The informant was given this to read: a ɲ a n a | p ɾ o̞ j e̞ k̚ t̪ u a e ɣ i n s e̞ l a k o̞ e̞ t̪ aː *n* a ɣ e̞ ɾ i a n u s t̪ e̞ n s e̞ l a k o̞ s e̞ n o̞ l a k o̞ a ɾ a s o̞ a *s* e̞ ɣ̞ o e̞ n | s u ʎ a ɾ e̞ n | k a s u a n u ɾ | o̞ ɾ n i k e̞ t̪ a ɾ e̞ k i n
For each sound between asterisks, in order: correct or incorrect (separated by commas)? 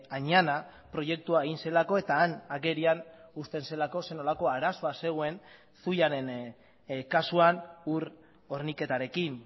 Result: correct, correct